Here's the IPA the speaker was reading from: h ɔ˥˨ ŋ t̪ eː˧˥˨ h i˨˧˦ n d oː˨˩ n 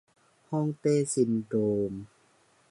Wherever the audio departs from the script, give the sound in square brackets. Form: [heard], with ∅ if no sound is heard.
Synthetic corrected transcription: h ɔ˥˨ ŋ t̪ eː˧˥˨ [s] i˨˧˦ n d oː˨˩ [m]